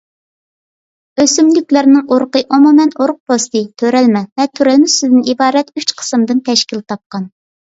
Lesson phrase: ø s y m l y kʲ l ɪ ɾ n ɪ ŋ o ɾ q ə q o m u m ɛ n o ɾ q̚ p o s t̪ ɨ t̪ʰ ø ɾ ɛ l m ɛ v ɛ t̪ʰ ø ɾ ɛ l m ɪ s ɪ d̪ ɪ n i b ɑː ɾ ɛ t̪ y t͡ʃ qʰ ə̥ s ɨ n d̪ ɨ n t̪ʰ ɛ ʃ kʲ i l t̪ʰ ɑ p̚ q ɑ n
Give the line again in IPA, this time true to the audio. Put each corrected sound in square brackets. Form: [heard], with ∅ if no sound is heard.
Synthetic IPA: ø s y m l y kʲ l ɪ ɾ n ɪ ŋ o ɾ q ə [ʔ] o m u m ɛ n o ɾ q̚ p o s t̪ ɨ t̪ʰ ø ɾ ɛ l m ɛ v ɛ t̪ʰ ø ɾ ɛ l m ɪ s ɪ d̪ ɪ n i b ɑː ɾ ɛ t̪ y t͡ʃ qʰ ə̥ s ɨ [m] d̪ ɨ n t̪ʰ ɛ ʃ kʲ i l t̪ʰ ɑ p̚ q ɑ n